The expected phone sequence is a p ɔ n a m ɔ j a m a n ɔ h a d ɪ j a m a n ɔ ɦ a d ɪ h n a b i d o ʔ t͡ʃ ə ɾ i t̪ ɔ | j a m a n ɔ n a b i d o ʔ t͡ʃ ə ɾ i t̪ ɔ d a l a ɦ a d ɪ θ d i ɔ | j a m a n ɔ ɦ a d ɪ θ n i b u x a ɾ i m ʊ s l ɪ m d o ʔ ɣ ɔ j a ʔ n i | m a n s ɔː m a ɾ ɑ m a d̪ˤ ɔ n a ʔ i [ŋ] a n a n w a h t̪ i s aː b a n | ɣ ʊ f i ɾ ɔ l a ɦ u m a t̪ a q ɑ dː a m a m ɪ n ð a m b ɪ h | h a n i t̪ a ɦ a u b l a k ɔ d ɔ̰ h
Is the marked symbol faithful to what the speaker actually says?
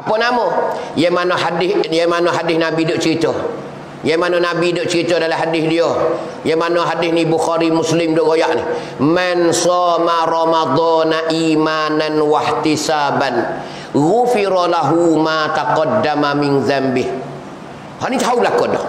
no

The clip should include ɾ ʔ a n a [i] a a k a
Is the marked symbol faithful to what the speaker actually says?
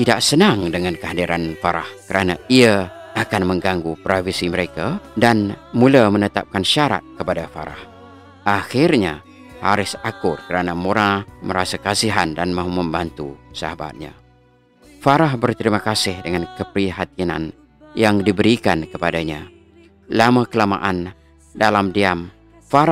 yes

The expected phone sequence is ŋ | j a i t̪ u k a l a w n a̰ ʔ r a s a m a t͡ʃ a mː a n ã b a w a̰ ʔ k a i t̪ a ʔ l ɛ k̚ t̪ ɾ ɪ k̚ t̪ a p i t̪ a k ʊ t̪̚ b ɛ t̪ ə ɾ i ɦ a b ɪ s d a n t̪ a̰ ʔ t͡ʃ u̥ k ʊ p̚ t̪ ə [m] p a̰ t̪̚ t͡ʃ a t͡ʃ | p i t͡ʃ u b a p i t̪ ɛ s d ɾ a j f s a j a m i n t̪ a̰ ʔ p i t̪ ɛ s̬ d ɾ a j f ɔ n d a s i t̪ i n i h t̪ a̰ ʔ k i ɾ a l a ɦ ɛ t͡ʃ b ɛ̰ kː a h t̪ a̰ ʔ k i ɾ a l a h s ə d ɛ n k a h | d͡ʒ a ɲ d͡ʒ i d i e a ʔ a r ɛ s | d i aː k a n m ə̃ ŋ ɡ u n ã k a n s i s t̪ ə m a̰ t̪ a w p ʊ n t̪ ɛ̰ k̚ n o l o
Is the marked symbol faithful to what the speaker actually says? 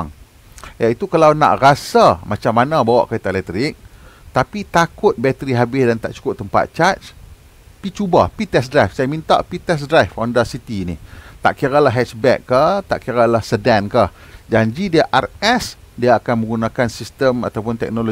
yes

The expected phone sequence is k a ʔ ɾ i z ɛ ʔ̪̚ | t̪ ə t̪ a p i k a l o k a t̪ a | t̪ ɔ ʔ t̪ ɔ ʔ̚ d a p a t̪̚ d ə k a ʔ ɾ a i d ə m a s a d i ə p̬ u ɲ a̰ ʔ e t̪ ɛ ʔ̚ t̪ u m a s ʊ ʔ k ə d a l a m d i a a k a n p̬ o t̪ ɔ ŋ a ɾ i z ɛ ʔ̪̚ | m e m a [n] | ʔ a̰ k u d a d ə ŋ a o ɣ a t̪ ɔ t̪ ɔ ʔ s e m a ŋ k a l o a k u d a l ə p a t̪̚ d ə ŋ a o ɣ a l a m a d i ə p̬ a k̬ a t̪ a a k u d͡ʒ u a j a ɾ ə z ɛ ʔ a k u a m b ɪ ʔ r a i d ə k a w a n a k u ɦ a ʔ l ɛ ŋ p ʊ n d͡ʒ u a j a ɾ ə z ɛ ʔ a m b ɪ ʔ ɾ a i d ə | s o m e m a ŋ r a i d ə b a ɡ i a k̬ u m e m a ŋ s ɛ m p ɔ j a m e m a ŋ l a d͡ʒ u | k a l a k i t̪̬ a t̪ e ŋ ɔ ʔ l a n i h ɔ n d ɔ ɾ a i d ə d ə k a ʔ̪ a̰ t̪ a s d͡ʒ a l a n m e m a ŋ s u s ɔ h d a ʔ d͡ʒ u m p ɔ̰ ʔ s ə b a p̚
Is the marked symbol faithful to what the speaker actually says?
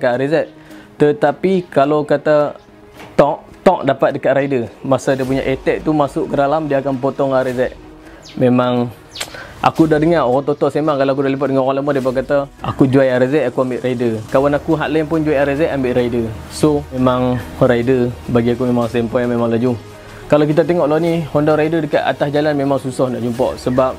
no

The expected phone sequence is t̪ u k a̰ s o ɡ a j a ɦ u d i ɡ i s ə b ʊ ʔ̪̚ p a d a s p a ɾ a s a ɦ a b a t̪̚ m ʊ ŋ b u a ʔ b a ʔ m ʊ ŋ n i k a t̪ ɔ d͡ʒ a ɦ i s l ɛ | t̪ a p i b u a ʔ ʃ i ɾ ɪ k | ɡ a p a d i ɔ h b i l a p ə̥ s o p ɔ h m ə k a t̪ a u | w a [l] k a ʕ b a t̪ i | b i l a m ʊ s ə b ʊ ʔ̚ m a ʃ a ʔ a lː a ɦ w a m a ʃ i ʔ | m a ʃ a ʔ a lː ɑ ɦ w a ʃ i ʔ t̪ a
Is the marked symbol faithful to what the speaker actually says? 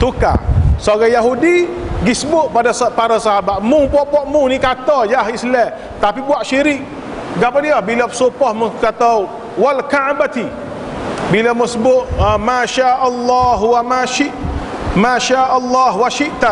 yes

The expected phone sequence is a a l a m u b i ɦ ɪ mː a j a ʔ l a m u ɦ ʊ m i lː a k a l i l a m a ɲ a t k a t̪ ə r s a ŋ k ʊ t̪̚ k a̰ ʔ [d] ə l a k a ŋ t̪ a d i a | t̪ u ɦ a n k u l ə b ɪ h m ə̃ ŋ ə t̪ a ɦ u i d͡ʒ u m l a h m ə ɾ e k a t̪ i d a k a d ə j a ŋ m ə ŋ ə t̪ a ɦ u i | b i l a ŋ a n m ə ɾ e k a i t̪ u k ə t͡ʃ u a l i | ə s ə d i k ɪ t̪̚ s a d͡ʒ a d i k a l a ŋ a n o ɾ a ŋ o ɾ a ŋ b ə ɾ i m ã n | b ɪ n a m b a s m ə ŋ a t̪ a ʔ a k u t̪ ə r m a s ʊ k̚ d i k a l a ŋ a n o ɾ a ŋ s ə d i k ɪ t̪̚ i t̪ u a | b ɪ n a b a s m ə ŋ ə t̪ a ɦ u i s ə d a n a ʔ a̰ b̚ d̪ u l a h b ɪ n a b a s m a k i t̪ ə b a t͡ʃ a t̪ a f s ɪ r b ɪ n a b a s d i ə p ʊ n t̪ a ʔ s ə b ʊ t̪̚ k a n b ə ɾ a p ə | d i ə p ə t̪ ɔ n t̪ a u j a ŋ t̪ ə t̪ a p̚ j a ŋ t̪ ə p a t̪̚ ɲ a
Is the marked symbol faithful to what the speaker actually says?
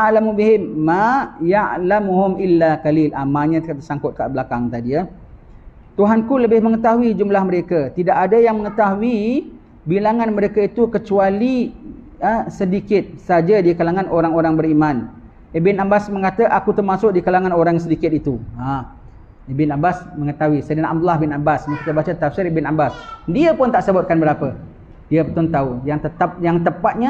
no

